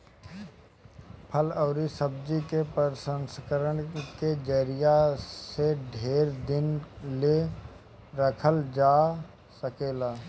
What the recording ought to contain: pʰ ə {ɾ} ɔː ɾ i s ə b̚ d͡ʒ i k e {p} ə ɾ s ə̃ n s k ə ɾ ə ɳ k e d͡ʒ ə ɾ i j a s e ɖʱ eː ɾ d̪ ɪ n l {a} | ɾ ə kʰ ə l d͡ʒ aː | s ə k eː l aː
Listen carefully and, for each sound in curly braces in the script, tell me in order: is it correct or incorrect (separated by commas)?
incorrect, correct, incorrect